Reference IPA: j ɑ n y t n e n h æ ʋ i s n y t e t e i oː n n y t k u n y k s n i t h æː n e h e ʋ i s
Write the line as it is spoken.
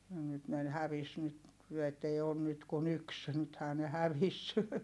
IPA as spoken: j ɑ n y t n e n h æ ʋ i s n y t e t e i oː n n y t k u n y k s n y t h æː n e h æ ʋ i s